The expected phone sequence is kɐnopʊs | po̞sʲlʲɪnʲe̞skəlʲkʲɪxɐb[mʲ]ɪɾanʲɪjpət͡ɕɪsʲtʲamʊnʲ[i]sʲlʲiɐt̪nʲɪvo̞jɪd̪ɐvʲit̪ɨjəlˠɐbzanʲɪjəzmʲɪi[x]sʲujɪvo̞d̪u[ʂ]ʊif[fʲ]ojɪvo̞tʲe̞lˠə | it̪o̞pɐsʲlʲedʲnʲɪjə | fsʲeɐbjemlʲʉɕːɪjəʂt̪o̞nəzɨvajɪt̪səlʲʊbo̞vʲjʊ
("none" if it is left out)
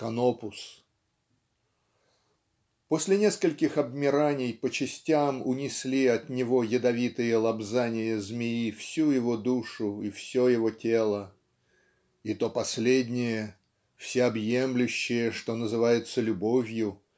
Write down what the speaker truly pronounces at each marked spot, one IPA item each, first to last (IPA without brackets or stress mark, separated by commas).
mʲ, ɪ, f, ʂ, sʲ